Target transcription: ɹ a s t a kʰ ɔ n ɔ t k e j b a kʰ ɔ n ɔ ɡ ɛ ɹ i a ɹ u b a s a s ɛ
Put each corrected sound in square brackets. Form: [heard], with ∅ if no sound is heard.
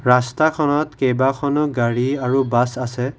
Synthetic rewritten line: ɹ a s t a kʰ ɔ n ɔ t k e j b a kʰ ɔ n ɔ ɡ [a] ɹ i a ɹ u b a s a s ɛ